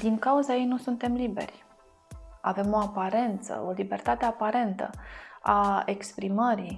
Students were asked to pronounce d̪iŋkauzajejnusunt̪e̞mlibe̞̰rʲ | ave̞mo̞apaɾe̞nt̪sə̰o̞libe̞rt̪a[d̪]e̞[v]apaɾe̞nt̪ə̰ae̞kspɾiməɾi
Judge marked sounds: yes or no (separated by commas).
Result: no, no